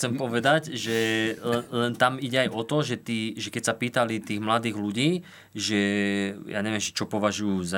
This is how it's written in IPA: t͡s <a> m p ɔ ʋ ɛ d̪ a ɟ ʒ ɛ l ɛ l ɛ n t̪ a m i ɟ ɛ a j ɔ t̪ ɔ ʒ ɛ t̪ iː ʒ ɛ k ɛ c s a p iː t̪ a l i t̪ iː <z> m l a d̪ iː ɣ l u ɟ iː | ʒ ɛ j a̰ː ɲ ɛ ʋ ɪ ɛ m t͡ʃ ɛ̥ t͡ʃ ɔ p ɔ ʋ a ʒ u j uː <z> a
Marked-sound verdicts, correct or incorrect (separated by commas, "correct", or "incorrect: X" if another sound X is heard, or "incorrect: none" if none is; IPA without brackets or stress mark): incorrect: ɛ, incorrect: ɣ, correct